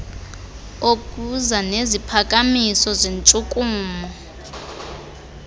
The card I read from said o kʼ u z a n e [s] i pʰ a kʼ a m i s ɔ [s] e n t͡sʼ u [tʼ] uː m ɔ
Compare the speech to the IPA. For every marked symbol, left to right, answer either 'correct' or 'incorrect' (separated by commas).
incorrect, incorrect, incorrect